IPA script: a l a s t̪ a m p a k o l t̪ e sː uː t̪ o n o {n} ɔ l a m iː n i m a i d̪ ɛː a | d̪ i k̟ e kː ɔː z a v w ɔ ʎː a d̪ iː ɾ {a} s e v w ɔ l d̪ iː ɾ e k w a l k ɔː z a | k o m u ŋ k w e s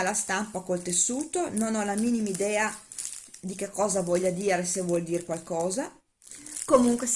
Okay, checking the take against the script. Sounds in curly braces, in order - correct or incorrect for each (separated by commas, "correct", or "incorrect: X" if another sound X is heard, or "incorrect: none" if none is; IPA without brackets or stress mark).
correct, incorrect: e